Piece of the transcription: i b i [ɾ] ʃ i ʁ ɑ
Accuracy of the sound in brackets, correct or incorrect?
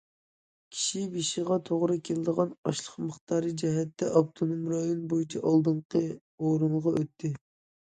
incorrect